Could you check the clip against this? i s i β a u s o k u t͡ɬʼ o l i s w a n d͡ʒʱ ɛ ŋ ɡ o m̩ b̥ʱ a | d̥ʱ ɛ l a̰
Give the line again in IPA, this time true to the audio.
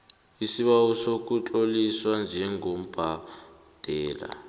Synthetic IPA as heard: i s i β a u s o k u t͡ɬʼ o l i s w a n d͡ʒʱ ɛ ŋ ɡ o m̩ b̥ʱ a | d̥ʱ ɛː l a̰